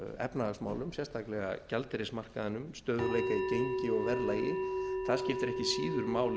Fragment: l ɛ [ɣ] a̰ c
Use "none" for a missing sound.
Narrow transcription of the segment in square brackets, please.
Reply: ɣ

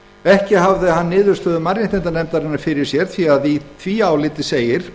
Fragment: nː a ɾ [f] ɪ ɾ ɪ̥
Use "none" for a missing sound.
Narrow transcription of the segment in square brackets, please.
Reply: f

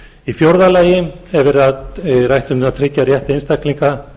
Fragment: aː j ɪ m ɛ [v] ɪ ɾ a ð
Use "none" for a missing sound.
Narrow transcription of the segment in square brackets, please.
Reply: v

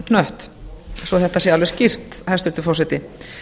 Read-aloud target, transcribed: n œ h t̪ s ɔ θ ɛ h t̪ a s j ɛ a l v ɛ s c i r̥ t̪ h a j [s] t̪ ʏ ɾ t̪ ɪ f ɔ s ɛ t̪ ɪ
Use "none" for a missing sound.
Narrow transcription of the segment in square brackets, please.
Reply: s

